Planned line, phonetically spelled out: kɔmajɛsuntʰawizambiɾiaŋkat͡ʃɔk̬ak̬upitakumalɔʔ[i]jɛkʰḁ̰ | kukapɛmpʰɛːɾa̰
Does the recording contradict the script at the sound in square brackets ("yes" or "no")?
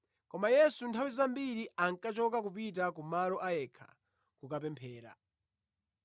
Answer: yes